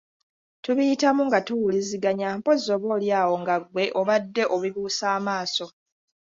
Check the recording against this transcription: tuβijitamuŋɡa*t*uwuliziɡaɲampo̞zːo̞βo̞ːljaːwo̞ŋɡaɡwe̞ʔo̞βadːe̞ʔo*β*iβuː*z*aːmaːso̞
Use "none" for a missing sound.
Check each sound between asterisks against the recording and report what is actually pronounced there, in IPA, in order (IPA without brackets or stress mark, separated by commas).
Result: t, β, s